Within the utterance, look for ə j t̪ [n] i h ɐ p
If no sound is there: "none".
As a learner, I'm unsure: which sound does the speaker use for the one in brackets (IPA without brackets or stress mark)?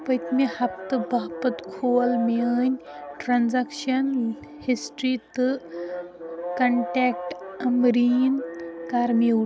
m